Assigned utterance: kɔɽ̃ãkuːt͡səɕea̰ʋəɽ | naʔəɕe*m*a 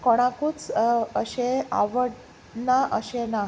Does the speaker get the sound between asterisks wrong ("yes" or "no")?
yes